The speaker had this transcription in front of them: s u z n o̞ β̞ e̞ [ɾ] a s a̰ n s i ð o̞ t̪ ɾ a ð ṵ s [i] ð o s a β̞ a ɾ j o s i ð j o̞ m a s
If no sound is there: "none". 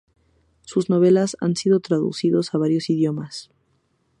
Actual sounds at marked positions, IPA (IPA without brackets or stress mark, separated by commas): l, i